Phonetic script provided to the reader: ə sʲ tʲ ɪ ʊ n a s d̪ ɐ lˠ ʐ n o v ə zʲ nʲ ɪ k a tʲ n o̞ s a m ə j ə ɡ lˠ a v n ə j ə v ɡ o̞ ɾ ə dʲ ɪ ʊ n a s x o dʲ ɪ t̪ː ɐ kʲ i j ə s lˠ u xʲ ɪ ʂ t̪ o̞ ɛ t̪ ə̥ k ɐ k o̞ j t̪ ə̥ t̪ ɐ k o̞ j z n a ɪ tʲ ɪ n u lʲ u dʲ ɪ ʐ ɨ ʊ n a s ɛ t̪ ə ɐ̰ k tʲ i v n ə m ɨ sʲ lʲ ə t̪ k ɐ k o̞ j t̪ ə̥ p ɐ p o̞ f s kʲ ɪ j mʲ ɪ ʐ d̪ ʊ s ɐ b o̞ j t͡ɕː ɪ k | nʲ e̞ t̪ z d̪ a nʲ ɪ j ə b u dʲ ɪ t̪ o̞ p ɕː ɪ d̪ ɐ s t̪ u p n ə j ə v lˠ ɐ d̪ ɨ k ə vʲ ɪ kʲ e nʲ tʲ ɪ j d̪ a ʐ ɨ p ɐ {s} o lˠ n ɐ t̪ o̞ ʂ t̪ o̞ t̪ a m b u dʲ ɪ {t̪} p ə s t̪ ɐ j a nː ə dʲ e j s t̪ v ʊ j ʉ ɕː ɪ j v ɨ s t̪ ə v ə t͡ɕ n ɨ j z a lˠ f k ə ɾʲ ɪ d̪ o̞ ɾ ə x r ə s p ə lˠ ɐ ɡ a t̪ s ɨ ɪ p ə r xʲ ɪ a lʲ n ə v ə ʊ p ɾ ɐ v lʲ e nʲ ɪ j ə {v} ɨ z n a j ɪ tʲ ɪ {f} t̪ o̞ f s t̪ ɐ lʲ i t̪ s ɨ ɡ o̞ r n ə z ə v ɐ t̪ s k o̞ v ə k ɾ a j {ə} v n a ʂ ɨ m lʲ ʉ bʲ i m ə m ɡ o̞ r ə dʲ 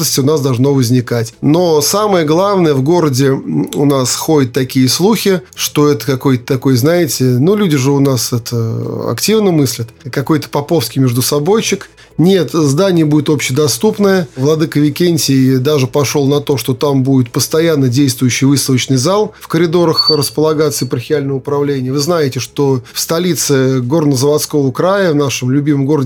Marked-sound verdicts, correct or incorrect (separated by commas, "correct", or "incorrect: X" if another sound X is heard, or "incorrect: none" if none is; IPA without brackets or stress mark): incorrect: ʂ, correct, correct, incorrect: ʂ, correct